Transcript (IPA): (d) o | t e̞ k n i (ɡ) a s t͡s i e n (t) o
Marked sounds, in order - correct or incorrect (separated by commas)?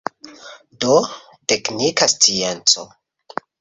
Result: correct, incorrect, incorrect